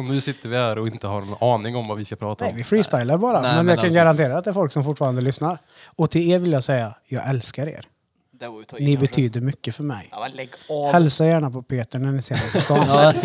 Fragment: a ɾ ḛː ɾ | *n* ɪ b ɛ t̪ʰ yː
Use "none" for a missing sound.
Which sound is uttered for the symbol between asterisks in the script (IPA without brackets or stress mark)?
n